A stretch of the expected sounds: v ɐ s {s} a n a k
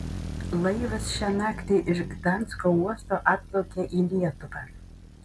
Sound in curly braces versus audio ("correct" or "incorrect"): incorrect